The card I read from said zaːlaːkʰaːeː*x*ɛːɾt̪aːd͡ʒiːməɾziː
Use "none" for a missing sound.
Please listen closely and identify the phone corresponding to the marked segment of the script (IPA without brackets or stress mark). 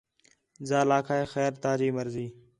x